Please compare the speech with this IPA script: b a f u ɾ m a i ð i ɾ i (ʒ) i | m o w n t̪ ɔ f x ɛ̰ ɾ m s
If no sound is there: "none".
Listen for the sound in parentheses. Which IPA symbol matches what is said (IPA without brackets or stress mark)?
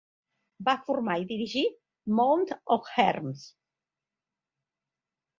ʒ